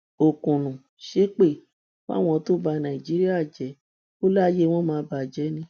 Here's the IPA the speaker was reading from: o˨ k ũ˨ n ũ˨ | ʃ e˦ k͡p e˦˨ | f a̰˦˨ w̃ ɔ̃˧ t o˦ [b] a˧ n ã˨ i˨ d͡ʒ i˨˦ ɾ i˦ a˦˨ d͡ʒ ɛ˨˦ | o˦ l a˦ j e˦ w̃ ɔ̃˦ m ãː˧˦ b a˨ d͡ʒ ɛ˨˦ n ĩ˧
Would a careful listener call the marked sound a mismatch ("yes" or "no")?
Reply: no